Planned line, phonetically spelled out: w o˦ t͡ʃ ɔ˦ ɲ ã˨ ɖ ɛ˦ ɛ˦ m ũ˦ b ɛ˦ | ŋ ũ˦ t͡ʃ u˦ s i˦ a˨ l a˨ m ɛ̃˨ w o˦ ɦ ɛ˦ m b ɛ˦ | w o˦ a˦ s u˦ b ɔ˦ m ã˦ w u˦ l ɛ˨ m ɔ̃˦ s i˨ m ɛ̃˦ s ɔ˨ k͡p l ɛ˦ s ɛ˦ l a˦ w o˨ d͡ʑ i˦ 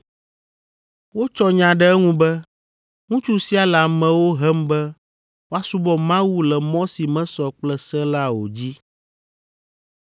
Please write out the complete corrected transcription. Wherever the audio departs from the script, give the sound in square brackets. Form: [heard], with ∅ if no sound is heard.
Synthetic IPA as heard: w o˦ t͡ʃ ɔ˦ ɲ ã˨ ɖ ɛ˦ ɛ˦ [ŋ] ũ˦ b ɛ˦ | ŋ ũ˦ t͡ʃ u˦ s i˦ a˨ l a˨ m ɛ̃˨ w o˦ ɦ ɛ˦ m b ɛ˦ | w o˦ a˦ s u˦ b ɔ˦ m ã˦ w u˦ l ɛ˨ m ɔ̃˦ s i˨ m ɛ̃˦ s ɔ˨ k͡p l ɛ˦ s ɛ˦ l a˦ w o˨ d͡ʑ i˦

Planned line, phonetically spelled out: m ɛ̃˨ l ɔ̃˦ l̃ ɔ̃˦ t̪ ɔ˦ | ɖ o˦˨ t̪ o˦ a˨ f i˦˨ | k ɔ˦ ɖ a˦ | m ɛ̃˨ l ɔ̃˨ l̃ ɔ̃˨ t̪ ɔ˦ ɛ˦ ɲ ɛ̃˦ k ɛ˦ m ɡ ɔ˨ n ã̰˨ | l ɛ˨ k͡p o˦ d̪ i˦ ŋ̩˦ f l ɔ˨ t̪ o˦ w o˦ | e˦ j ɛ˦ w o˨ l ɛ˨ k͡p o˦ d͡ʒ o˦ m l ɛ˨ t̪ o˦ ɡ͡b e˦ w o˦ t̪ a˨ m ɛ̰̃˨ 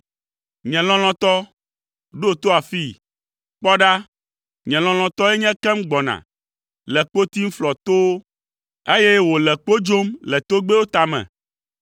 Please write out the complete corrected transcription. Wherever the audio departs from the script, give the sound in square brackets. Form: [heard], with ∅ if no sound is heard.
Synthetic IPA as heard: [ɲ] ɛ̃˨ l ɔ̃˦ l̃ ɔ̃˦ t̪ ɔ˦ | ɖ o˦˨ t̪ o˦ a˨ f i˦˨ | [k͡p] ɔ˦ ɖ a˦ | [ɲ] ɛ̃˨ l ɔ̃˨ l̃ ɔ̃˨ t̪ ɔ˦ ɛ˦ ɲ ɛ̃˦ k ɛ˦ m [ɡ͡b] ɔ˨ n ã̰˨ | l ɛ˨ k͡p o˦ [t̪] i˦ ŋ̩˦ f l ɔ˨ t̪ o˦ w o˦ | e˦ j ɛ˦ w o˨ l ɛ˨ k͡p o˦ d͡ʒ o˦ m l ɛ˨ t̪ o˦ ɡ͡b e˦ w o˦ t̪ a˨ m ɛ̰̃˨

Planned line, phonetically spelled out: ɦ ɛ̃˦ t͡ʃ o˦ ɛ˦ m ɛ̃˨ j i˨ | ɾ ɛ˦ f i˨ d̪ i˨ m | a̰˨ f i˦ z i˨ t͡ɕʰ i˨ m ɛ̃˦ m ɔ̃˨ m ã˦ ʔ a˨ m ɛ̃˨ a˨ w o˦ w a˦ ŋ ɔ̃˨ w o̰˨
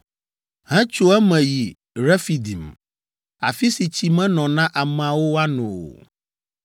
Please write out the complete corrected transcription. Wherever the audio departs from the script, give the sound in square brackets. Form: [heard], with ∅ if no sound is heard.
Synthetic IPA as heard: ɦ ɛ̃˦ t͡ʃ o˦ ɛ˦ m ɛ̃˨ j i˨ | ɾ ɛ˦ f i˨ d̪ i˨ m | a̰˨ f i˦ [s] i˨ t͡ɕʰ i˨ m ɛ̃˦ [n] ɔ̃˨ [n] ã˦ ʔ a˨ m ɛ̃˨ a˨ w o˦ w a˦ [n] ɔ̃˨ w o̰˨

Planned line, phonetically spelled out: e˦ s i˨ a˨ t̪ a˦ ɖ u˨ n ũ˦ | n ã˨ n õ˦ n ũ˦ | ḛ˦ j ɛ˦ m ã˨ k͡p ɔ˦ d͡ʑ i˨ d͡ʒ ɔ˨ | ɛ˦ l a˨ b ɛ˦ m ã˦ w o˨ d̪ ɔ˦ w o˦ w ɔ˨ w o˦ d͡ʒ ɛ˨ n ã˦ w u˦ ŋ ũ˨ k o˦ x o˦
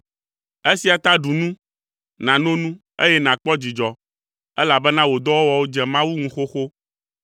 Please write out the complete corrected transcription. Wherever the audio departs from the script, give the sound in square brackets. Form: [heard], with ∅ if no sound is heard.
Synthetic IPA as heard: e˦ s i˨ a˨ t̪ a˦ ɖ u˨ n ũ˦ | n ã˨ n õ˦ n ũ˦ | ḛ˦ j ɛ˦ [n] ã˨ k͡p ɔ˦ d͡ʑ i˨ d͡ʒ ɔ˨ | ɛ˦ l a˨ b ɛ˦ [n] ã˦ w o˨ d̪ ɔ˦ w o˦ w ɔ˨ w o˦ d͡ʒ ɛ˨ [m] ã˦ w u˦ ŋ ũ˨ [x] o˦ x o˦

